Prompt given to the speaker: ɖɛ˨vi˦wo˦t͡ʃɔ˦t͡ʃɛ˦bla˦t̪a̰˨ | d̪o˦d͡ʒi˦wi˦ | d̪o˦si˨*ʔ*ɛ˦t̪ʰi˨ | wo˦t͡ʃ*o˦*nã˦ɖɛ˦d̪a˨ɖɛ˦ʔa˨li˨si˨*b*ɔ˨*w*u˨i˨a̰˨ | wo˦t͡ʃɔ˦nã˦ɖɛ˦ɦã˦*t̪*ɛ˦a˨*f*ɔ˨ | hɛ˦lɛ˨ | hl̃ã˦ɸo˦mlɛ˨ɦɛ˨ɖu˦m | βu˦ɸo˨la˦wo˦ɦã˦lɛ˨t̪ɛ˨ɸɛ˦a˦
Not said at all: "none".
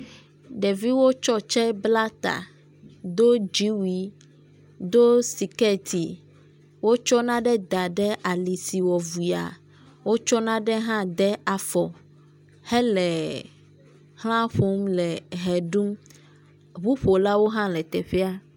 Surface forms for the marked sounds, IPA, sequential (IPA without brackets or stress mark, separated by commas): k, ɔ˦, w, v, d̪, f